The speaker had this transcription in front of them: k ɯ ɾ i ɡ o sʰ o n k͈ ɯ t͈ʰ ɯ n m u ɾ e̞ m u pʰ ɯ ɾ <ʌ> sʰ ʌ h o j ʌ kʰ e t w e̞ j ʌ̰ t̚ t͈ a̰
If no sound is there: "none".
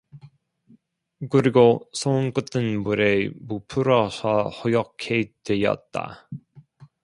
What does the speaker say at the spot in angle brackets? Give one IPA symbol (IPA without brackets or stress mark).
ʌ